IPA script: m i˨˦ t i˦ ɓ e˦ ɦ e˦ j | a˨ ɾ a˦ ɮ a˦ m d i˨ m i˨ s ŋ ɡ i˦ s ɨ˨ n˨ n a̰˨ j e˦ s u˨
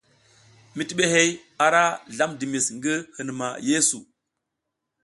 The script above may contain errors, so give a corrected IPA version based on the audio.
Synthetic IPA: m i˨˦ t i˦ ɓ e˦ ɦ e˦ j | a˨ ɾ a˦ ɮ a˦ m d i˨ m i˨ s ŋ ɡ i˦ h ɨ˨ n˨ m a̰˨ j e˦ s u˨